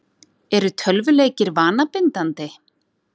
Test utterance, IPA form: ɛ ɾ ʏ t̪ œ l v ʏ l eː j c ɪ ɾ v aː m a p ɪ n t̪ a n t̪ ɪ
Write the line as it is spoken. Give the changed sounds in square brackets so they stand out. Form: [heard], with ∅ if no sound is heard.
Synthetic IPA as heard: ɛ ɾ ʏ [t̪ʰ] œ l v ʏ l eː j c ɪ ɾ v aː [n] a p ɪ n t̪ a n t̪ ɪ